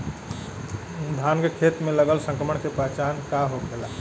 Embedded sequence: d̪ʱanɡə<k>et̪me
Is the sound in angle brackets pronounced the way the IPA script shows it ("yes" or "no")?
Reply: no